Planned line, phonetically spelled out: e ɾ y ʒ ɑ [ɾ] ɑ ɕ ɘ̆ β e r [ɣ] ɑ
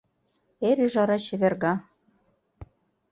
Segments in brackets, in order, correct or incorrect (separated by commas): correct, correct